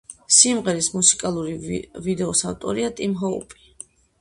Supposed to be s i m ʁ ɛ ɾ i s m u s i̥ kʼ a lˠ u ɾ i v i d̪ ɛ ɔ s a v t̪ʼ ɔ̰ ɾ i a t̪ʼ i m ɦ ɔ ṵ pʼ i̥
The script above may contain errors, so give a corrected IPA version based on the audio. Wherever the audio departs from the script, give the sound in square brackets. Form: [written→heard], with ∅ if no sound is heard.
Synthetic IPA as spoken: s i m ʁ ɛ ɾ i s m u s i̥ kʼ a lˠ u ɾ i v i d̪ ɛ ɔ s a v t̪ʼ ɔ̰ ɾ i a t̪ʼ i m ɦ ɔ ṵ pʼ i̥